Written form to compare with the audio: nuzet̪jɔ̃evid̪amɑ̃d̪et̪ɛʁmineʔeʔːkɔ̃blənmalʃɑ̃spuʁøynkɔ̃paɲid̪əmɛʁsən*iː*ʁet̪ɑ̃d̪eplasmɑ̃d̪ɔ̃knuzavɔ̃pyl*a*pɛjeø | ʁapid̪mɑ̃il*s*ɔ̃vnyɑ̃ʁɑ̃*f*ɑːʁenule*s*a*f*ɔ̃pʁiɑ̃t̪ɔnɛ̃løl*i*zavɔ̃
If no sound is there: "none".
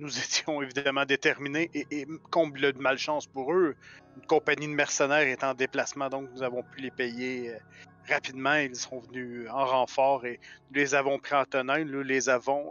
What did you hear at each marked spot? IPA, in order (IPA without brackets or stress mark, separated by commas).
ɛː, e, s, f, z, v, e